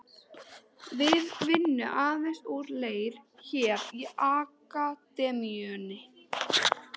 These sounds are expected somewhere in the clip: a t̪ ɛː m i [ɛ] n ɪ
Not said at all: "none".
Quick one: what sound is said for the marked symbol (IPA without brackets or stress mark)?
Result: œ